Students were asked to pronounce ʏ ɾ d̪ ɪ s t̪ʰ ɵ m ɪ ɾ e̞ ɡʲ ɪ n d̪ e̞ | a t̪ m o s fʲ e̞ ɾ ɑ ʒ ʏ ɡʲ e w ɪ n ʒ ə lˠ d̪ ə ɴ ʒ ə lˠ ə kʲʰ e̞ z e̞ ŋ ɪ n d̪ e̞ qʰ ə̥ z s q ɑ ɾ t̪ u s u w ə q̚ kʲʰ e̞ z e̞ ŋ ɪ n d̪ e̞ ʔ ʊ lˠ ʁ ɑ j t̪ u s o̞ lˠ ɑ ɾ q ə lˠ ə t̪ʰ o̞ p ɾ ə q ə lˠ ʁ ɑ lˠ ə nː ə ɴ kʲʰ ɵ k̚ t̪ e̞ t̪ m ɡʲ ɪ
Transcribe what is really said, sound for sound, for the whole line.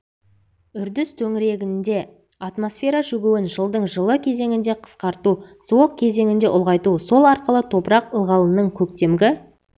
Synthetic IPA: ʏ ɾ d̪ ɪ s t̪ʰ ɵ ŋ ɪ ɾ e̞ ɡʲ ɪ n d̪ e̞ | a t̪ m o s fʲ e̞ ɾ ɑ ʒ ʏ ɡʲ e w ɪ n ʒ ə lˠ d̪ ə ɴ ʒ ə lˠ ə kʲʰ e̞ z e̞ ŋ ɪ n d̪ e̞ qʰ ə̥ s q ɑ ɾ t̪ u s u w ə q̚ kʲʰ e̞ z e̞ ŋ ɪ n d̪ e̞ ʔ ʊ lˠ ʁ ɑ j t̪ u s o̞ lˠ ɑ ɾ q ə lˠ ə t̪ʰ o̞ p ɾ ɑ q ə lˠ ʁ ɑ lˠ ə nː ə ɴ kʲʰ ɵ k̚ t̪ e̞ m ɡʲ ɪ

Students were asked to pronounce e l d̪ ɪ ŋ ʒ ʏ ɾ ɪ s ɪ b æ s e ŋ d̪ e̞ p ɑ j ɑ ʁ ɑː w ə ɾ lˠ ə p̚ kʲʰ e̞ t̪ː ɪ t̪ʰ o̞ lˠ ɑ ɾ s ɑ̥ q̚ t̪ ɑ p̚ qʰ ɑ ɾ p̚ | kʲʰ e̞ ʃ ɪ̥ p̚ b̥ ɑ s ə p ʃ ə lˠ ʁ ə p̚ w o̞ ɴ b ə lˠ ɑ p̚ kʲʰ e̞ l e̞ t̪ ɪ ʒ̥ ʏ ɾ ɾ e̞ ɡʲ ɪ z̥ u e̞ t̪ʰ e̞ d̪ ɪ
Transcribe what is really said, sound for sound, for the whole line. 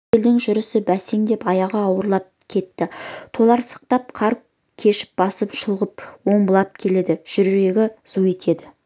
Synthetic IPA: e l d̪ ɪ ŋ ʒ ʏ ɾ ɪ s ɪ b æ s e ŋ d̪ e̞ p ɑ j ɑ ʁ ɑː w ə ɾ lˠ ɑ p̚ kʲʰ e̞ t̪ː ɪ t̪ʰ o̞ lˠ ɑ ɾ s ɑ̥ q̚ t̪ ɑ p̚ qʰ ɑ ɾ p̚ | kʲʰ e̞ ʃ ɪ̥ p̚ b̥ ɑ s ə p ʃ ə lˠ ʁ ə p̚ w o̞ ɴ b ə lˠ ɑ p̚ kʲʰ e̞ l e̞ d̪ ɪ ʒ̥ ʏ ɾ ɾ e̞ ɡʲ ɪ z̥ u e̞ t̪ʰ e̞ d̪ ɪ

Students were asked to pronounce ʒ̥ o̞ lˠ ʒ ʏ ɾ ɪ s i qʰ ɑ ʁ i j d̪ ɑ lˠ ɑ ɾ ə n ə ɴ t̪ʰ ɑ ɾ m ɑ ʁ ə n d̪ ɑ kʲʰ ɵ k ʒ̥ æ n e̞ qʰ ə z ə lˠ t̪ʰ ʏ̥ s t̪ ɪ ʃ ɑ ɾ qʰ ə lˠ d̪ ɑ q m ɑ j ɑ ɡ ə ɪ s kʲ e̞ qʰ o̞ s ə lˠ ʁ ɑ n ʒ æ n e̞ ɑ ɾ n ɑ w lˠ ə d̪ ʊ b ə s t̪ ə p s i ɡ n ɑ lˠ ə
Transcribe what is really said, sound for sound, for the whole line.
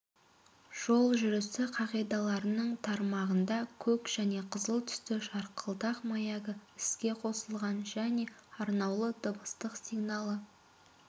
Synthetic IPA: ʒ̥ o̞ lˠ ʒ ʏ ɾ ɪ s ɪ qʰ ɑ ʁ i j d̪ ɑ lˠ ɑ ɾ ə n ə ɴ t̪ʰ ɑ ɾ m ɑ ʁ ə n d̪ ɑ kʲʰ ɵ k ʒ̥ æ n e̞ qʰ ə z ə lˠ t̪ʰ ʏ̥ s t̪ ɪ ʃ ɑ ɾ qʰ ə lˠ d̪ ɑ q m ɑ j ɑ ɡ ə ɪ s kʲ e̞ qʰ o̞ s ə lˠ ʁ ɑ n ʒ æ n e̞ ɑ ɾ n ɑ w lˠ ə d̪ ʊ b ə s t̪ ə q s i ɡ n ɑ lˠ ə

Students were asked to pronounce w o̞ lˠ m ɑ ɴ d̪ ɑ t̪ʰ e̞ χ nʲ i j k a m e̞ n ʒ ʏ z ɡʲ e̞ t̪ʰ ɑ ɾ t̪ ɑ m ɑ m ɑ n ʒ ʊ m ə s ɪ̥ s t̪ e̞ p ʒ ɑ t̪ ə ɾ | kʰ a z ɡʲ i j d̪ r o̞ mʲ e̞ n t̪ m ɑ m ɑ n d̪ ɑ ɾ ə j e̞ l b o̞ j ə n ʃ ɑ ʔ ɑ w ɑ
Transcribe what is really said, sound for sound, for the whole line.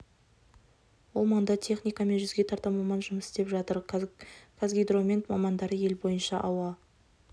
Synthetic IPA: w o̞ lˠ m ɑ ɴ d̪ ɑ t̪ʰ e̞ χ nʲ i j k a m e̞ n ʒ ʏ z ɡʲ e̞ t̪ʰ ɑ ɾ t̪ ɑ m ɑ m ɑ n ʒ ʊ m ə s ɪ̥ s t̪ e̞ p ʒ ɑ t̪ ə ɾ | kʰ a z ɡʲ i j d̪ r o̞ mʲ e̞ n t̪ m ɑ m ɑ n d̪ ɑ ɾ ə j e̞ l b o̞ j ə n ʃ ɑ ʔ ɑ w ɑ

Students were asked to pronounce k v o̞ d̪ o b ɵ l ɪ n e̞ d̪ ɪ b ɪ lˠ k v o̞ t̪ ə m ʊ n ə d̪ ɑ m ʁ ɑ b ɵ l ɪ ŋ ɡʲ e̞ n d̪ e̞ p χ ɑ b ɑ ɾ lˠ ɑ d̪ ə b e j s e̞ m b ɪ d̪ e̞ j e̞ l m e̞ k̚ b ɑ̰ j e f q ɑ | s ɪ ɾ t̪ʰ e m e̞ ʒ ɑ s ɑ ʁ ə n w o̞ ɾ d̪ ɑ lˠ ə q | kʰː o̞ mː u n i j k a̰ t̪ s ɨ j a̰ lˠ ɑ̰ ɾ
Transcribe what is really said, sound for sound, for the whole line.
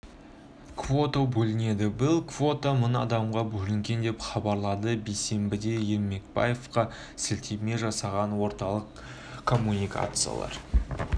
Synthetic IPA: k v o̞ t̪ o b ɵ l ɪ n e̞ d̪ ɪ b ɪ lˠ k v o̞ t̪ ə m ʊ n ɑ d̪ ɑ m ʁ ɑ b ɵ l ɪ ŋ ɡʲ e̞ n d̪ e̞ p χ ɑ b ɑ ɾ lˠ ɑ d̪ ə b e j s e̞ m b ɪ d̪ e̞ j e̞ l m e̞ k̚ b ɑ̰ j e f q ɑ | s ɪ l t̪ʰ e m e̞ ʒ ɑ s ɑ ʁ ɑ n w o̞ ɾ t̪ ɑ lˠ ə q | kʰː o̞ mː u n i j k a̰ t̪ s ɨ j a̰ lˠ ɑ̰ ɾ

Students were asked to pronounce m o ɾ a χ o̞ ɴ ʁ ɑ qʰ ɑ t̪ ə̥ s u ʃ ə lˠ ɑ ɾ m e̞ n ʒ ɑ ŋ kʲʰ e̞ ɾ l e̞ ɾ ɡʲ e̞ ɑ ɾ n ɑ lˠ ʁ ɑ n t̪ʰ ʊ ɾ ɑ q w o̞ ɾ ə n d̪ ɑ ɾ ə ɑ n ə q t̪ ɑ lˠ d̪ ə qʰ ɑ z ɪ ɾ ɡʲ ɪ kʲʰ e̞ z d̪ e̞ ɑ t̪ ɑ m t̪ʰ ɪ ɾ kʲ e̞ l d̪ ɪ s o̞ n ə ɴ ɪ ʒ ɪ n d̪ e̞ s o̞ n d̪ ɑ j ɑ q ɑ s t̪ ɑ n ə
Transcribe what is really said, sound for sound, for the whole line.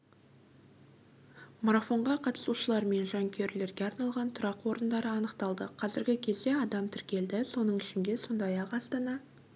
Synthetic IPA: m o ɾ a f o̞ ɴ ʁ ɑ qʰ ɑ t̪ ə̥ s u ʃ ə lˠ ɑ ɾ m e̞ n ʒ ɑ ŋ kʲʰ e̞ ɾ l e̞ ɾ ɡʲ e̞ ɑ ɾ n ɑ lˠ ʁ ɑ n t̪ʰ ʊ ɾ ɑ q w o̞ ɾ ə n d̪ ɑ ɾ ə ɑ n ə q t̪ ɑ lˠ d̪ ə qʰ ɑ z ɪ ɾ ɡʲ ɪ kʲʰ e̞ z d̪ e̞ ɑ d̪ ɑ m t̪ʰ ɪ ɾ kʲ e̞ l d̪ ɪ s o̞ n ə ɴ ɪ ʃ ɪ n d̪ e̞ s o̞ n d̪ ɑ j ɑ q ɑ s t̪ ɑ n ɑ

